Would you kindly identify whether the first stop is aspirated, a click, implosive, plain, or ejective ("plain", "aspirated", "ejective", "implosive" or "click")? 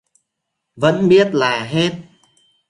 implosive